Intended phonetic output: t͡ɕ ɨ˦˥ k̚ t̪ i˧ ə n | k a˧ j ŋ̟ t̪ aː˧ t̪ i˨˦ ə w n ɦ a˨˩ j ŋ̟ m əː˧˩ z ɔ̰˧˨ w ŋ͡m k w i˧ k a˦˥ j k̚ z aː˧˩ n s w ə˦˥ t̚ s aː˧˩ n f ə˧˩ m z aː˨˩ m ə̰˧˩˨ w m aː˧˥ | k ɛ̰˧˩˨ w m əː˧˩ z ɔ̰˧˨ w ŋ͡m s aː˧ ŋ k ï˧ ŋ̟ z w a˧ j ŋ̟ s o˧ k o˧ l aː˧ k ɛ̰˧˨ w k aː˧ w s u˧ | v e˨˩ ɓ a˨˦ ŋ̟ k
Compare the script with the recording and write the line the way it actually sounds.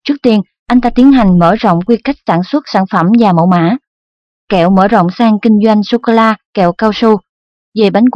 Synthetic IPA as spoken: t͡ɕ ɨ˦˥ k̚ t̪ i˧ ə n | ʔ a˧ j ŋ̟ t̪ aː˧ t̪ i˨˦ ə n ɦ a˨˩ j ŋ̟ m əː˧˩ z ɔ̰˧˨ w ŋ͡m k w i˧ k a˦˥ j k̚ s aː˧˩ n s w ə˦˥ t̚ s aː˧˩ n f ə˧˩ m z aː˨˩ m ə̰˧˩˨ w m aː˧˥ | k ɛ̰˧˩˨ w m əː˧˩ z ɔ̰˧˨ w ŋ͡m s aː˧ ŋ k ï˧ ŋ̟ z w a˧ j ŋ̟ s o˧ k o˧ l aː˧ k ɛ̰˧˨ w k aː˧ w s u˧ | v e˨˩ ɓ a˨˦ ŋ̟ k